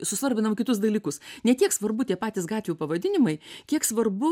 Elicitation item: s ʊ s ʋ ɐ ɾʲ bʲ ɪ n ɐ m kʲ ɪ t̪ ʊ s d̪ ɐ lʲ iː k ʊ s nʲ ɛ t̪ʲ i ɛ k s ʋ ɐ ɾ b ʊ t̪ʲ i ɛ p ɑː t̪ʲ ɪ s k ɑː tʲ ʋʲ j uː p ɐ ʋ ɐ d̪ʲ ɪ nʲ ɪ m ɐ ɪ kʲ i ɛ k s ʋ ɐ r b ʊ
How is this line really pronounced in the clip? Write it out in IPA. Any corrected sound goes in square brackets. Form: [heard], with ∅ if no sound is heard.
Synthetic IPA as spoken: s ʊ s ʋ ɐ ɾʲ bʲ ɪ n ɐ m kʲ ɪ t̪ ʊ s d̪ ɐ lʲ iː k ʊ s nʲ ɛ t̪ʲ i ɛ k s ʋ ɐ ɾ b ʊ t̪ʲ i ɛ p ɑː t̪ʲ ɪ s [ɡ] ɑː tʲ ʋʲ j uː p ɐ ʋ ɐ d̪ʲ ɪ nʲ ɪ m ɐ ɪ kʲ i ɛ k s ʋ ɐ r b ʊ